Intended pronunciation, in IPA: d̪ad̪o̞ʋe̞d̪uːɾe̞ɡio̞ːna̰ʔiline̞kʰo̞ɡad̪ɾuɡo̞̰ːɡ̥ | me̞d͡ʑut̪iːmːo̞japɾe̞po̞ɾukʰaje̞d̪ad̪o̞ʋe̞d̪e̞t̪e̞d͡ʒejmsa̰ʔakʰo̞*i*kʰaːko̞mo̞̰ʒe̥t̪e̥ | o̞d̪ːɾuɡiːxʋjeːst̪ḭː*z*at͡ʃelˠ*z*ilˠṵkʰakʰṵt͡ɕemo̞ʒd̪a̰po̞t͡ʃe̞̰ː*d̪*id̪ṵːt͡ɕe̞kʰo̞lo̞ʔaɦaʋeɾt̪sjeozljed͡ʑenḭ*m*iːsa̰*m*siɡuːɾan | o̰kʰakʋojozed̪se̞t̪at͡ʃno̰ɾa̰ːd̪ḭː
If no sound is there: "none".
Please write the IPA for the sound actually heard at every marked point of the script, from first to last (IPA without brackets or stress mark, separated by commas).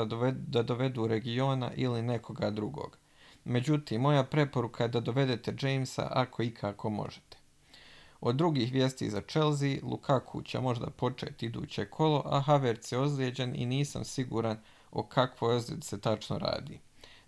i, z, z, t̪, n, m